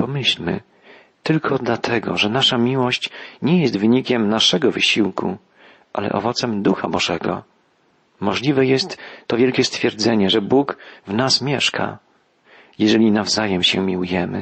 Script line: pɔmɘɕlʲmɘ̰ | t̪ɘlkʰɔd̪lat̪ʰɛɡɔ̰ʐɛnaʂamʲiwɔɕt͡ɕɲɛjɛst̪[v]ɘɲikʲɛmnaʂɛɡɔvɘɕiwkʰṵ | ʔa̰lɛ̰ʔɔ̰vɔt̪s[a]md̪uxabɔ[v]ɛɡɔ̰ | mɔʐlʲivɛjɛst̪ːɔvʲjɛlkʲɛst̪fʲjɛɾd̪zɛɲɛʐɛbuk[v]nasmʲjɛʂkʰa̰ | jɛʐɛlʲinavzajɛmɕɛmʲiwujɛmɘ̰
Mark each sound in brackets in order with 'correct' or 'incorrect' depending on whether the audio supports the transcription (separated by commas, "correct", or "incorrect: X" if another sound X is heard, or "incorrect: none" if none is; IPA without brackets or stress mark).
correct, incorrect: ɛ, incorrect: ʐ, correct